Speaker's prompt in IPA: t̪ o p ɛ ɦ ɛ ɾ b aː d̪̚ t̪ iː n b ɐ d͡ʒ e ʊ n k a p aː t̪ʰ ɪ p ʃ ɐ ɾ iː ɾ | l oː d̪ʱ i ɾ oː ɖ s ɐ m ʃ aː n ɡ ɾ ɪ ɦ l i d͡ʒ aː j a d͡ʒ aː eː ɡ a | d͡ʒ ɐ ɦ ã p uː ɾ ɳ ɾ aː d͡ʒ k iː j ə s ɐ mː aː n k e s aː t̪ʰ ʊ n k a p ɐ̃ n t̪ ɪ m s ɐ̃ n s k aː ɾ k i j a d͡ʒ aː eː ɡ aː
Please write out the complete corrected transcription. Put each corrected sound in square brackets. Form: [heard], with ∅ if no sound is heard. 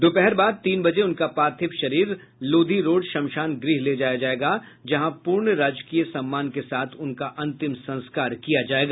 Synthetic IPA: [d̪] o p ɛ ɦ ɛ ɾ b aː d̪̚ t̪ iː n b ɐ d͡ʒ e ʊ n k a p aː t̪ʰ ɪ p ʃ ɐ ɾ iː ɾ | l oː d̪ʱ i ɾ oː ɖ [ʃ] ɐ m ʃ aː n ɡ ɾ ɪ ɦ l [e] d͡ʒ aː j a d͡ʒ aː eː ɡ a | d͡ʒ ɐ ɦ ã p uː ɾ ɳ ɾ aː d͡ʒ k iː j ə s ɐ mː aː n k e s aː t̪ʰ ʊ n k a [ʔ] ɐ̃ n t̪ ɪ m s ɐ̃ n s k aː ɾ k i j a d͡ʒ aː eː ɡ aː